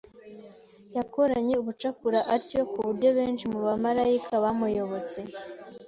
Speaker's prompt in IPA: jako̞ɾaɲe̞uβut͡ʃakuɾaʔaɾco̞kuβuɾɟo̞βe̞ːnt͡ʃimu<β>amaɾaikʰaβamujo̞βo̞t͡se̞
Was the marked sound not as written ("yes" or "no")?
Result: no